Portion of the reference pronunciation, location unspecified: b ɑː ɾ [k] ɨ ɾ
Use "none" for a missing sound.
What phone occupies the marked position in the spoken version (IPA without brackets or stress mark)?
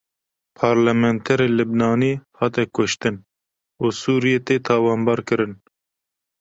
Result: k